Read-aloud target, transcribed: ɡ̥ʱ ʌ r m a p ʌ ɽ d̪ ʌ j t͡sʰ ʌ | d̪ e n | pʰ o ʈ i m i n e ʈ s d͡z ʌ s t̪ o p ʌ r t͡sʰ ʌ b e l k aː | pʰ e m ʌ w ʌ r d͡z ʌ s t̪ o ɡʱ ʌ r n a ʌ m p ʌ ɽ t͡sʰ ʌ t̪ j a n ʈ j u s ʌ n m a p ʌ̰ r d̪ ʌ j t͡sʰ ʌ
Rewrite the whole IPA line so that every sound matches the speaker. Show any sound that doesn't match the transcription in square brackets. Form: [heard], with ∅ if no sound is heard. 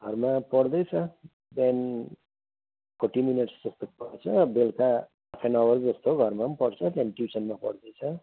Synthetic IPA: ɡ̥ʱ ʌ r m a p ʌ ɽ d̪ ʌ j t͡sʰ ʌ | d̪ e n | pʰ o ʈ i m i n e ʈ s d͡z ʌ s t̪ o p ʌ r t͡sʰ ʌ b e l k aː | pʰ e [n] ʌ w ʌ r d͡z ʌ s t̪ o ɡʱ ʌ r [m] a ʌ m p ʌ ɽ t͡sʰ ʌ t̪ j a n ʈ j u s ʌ n m a p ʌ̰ [ɽ] d̪ ʌ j t͡sʰ ʌ